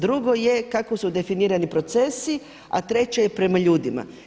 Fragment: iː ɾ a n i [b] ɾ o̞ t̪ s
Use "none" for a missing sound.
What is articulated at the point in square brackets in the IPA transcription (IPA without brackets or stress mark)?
p